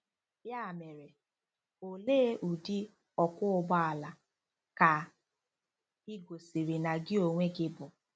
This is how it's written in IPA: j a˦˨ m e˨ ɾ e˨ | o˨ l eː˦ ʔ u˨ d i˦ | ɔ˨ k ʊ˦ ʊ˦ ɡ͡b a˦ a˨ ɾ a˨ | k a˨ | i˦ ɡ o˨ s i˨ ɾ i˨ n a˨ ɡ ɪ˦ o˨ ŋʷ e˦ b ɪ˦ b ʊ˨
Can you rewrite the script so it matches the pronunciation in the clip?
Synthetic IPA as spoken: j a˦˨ m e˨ ɾ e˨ | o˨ l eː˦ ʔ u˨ d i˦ | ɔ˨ k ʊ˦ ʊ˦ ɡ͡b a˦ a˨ l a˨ | k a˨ | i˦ ɡ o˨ s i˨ ɾ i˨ n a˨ ɡ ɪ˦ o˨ ŋʷ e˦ ɡ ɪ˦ b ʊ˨